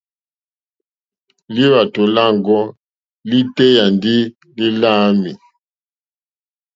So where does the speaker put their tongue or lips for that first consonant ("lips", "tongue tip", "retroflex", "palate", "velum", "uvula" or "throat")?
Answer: tongue tip